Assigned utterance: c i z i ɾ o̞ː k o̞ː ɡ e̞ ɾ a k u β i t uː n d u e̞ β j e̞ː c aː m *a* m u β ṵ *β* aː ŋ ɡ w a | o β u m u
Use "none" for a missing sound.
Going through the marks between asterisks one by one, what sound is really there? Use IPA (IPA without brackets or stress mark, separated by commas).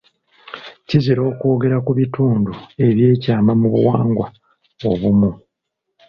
a, w